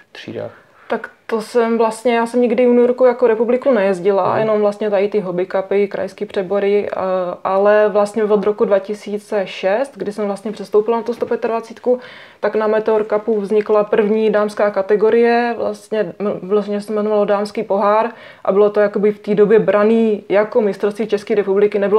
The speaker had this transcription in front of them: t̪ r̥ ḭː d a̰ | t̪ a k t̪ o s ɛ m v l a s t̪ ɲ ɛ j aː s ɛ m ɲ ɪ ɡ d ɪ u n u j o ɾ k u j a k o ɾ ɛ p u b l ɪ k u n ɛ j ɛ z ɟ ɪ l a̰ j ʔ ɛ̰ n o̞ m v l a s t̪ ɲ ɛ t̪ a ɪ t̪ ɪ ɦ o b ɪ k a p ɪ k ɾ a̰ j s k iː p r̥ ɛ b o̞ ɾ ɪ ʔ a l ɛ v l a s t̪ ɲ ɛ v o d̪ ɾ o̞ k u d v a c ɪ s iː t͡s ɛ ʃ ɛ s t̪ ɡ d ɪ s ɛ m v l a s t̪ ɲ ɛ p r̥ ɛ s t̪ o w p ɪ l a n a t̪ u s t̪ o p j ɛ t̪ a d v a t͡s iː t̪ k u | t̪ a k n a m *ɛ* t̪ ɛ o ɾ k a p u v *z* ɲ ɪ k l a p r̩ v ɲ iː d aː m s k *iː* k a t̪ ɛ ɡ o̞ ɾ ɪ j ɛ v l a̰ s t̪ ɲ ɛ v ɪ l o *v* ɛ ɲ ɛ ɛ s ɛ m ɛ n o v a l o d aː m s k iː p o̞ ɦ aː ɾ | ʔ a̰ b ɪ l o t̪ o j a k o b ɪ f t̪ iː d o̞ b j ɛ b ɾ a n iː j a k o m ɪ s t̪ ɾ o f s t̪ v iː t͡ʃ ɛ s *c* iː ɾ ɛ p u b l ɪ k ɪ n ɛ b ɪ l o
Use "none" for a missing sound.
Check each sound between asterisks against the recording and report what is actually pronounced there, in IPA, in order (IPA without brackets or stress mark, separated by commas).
ɛ, z, aː, ʒ, k